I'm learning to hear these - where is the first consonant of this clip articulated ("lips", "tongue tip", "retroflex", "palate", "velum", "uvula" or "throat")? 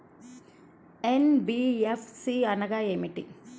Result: tongue tip